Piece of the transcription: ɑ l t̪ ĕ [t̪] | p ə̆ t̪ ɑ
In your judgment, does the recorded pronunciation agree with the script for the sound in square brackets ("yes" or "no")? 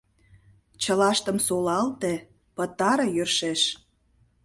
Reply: no